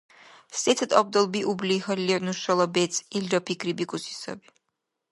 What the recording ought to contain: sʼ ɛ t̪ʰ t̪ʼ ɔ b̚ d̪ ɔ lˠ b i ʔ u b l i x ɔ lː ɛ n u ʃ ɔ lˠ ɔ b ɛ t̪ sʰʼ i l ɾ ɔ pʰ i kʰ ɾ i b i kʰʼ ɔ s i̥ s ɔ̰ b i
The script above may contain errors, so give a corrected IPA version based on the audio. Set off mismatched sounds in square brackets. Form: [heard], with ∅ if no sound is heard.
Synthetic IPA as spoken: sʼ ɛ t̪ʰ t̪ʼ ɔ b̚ d̪ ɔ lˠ b i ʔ u b l i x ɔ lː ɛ n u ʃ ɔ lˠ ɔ b ɛ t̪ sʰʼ i l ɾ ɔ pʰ i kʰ ɾ i b i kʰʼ [u] s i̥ s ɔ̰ b i